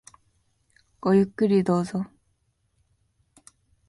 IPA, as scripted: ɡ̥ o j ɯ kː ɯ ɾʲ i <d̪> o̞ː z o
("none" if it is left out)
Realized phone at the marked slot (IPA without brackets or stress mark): d̪